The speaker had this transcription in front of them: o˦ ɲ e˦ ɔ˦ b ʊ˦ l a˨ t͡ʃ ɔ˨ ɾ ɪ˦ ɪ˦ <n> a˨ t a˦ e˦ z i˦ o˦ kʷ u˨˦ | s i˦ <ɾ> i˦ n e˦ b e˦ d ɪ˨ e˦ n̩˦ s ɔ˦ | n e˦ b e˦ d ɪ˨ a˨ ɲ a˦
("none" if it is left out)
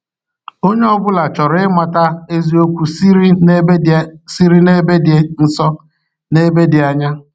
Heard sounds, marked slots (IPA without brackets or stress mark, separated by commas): m, ɾ